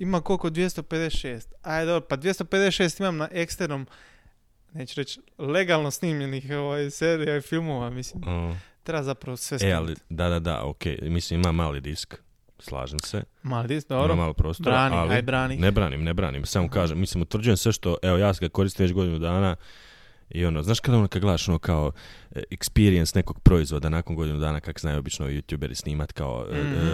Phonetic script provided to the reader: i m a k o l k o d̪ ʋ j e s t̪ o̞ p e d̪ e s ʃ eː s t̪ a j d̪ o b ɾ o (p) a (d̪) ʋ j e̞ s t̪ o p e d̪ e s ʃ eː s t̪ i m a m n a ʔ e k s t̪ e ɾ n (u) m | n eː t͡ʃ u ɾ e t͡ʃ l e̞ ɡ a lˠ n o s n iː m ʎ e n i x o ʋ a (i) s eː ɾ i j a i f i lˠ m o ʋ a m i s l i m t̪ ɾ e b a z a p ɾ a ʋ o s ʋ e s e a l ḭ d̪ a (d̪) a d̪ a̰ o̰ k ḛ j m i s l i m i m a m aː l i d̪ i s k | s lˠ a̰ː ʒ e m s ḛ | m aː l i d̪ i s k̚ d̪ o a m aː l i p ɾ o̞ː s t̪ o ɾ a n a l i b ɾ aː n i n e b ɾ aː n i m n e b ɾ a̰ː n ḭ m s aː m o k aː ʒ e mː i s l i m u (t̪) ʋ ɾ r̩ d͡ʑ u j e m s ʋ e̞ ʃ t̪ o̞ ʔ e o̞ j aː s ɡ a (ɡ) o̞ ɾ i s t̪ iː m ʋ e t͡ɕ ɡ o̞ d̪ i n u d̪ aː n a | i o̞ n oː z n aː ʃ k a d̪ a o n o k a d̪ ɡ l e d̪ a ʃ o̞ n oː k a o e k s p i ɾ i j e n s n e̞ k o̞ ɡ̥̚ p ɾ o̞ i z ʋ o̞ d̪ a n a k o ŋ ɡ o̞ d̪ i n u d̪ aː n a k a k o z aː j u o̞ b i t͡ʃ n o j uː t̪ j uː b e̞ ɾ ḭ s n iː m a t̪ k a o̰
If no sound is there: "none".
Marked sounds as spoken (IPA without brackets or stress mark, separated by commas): p, d̪, o, j, d̪, t̪, k